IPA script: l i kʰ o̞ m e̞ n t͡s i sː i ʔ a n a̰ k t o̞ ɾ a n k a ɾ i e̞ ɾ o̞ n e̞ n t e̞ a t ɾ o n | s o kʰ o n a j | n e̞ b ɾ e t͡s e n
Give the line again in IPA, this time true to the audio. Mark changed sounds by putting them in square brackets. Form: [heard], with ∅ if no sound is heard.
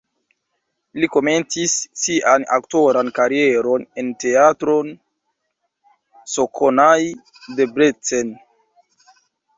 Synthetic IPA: l i [k] o̞ m e̞ n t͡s i sː i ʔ a n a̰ k t o̞ ɾ a n k a ɾ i e̞ ɾ o̞ n e̞ n t e̞ a t ɾ o n | s o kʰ o n a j | [d] e̞ b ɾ e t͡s e n